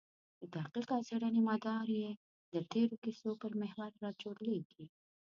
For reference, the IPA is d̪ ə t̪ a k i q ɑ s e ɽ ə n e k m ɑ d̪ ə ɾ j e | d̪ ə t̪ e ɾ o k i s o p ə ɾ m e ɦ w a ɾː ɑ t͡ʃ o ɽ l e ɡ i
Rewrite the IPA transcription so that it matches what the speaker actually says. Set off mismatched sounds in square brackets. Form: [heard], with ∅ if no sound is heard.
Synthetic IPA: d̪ ə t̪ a [q] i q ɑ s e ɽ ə n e [∅] m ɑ d̪ [ɑ] ɾ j e | d̪ ə t̪ e ɾ o k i s o p ə ɾ m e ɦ w a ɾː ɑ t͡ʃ o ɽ l e ɡ i